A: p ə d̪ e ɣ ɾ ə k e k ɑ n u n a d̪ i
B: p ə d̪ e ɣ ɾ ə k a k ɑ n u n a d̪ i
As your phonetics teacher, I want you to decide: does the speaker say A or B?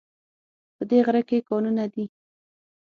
A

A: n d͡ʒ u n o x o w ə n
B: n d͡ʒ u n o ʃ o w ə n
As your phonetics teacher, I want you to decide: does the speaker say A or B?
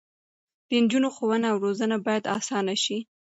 A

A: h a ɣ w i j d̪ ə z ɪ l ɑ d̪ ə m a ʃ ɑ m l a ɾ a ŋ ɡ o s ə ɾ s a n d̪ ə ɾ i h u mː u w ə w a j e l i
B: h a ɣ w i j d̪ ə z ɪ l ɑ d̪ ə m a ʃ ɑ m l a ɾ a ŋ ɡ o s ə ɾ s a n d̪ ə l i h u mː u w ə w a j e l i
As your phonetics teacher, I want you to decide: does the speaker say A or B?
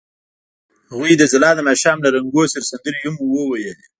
A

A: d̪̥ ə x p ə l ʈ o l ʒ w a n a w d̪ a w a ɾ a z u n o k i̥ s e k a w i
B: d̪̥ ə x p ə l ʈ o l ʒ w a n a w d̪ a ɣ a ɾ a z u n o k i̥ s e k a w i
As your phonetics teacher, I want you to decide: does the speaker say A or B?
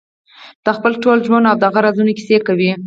B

